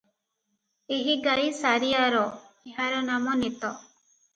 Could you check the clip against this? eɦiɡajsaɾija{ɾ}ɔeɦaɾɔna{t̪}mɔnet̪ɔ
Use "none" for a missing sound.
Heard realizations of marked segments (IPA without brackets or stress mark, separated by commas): ɾ, none